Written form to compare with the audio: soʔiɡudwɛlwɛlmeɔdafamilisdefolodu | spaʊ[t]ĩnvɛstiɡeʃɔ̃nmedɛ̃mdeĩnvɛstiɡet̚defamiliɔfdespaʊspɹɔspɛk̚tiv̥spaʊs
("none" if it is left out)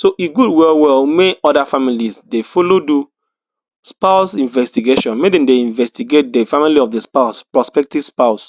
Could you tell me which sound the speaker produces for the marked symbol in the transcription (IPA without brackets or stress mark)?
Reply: s